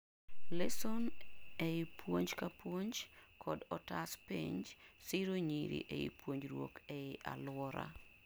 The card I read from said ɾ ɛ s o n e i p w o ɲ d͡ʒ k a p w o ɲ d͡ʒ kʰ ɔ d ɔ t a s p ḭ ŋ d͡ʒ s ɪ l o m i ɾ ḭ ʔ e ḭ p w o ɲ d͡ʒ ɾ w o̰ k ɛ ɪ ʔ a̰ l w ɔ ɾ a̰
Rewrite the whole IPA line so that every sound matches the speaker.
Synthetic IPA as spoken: l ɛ s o n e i p w o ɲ d͡ʒ k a p w o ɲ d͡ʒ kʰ ɔ d ɔ t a s p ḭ ɲ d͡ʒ s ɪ ɾ o ɲ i ɾ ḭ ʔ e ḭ p w o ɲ d͡ʒ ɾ w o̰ k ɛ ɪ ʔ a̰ l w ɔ ɾ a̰